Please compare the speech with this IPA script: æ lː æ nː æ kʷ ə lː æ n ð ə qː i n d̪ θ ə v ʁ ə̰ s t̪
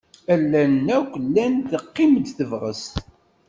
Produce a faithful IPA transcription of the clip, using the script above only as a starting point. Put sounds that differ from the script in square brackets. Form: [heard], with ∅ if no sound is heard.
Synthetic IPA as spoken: æ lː æ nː æ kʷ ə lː æ n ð ə qː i [m] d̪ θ ə v ʁ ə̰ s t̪